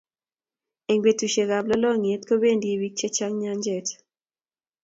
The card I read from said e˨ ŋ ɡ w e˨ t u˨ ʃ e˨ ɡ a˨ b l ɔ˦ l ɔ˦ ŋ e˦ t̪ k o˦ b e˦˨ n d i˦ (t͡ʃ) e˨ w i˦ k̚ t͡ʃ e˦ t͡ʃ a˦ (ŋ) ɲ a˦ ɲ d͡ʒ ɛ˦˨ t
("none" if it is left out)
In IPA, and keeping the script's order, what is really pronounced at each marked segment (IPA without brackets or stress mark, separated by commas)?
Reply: none, ŋ